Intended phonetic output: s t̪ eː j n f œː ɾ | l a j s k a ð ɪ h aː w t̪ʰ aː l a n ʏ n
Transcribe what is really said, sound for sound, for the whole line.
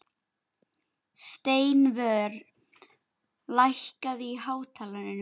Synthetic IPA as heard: s t̪ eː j n v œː ɾ | l a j h k a ð i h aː w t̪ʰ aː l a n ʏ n